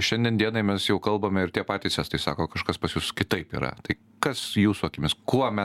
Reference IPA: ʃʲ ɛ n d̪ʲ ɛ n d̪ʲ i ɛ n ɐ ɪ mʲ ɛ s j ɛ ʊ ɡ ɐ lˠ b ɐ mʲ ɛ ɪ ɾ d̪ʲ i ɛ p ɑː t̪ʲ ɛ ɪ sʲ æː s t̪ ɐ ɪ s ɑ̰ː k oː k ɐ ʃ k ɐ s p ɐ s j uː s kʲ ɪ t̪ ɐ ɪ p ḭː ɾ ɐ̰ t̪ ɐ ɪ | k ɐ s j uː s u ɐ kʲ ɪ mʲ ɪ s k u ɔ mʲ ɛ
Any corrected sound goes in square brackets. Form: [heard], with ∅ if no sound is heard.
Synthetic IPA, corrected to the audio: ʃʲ ɛ n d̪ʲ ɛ n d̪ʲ i ɛ n ɐ ɪ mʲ ɛ s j ɛ ʊ [k] ɐ lˠ b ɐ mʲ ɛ ɪ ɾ [t̪ʲ] i ɛ p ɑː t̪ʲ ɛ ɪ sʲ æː s t̪ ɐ ɪ s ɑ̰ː k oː k ɐ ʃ k ɐ s p ɐ s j uː s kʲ ɪ t̪ ɐ ɪ p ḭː ɾ ɐ̰ t̪ ɐ ɪ | k ɐ s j uː s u ɐ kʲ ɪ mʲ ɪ s k u ɔ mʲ ɛ